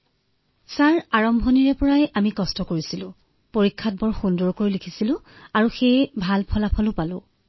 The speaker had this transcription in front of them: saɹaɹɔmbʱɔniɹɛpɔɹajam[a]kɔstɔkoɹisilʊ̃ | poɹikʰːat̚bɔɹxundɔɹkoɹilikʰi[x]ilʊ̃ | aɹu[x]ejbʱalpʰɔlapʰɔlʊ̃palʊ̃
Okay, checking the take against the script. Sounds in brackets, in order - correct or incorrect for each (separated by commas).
incorrect, incorrect, correct